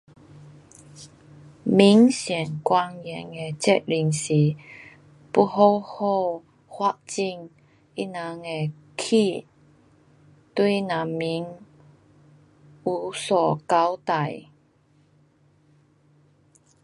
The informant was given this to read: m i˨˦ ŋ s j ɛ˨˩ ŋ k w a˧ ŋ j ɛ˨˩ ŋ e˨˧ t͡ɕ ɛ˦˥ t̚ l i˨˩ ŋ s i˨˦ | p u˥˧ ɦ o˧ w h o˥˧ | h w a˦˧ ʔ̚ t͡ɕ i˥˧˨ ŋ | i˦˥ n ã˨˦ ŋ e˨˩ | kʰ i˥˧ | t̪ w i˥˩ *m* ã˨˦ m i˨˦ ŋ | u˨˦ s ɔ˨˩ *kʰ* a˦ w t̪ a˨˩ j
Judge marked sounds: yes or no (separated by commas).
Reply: no, no